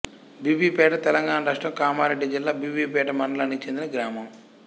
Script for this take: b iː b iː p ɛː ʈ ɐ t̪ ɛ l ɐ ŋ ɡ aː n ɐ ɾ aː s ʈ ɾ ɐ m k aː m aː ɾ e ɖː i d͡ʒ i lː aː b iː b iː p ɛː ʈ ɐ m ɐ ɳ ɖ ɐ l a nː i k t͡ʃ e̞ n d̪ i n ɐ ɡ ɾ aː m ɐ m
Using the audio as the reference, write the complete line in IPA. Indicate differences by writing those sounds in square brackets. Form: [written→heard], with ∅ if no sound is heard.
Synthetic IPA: b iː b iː p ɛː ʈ ɐ t̪ ɛ l ɐ ŋ ɡ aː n ɐ ɾ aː [s→ʂ] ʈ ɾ ɐ m k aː m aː ɾ e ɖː i d͡ʒ i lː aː b iː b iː p ɛː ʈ ɐ m ɐ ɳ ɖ ɐ l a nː i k t͡ʃ e̞ n d̪ i n ɐ ɡ ɾ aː m ɐ m